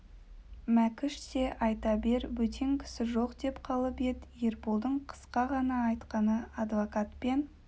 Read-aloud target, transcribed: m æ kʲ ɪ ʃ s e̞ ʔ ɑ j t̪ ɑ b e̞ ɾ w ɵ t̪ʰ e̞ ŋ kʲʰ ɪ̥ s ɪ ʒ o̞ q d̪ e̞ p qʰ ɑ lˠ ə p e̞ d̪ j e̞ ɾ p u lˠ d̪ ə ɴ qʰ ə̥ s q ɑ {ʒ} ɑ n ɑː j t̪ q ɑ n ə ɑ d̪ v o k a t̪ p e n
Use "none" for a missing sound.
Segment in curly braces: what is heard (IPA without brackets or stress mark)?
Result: ʁ